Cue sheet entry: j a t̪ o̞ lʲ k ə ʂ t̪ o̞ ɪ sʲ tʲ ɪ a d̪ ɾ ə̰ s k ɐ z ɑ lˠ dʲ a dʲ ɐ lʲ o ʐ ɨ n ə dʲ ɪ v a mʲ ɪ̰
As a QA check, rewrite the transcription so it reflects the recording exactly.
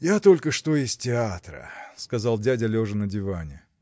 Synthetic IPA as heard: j a t̪ o̞ lʲ k ə ʂ t̪ o̞ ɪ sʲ tʲ ɪ a t̪ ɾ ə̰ s k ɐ z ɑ lˠ dʲ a dʲ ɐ lʲ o ʐ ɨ n ə dʲ ɪ v a nʲ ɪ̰